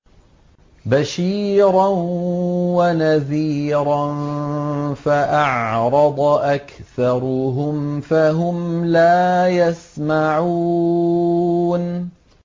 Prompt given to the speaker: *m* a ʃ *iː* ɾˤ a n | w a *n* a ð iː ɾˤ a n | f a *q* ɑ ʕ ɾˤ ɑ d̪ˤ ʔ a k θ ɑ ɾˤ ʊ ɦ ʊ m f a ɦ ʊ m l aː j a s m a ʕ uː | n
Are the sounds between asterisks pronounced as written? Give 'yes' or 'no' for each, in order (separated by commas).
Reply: no, yes, yes, no